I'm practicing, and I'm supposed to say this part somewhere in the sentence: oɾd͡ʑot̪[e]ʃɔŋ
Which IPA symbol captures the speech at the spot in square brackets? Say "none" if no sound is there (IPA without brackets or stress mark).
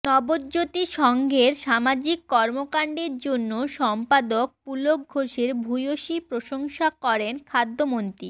i